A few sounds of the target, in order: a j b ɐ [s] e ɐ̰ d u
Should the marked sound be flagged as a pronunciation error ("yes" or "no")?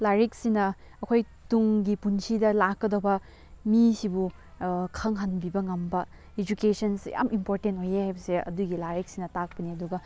no